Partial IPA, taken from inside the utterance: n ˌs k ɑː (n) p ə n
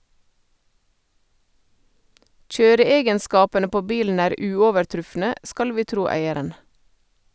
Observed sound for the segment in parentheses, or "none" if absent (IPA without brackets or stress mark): none